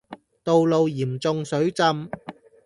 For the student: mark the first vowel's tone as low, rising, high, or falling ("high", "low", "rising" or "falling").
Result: low